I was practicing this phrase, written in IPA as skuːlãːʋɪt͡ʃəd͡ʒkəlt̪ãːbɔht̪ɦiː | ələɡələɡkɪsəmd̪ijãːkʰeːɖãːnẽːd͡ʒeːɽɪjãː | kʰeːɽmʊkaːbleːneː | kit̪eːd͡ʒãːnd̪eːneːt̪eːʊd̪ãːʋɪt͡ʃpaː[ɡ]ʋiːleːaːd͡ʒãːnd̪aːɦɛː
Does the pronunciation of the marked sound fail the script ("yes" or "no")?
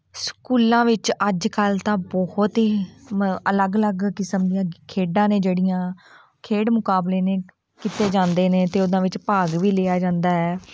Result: no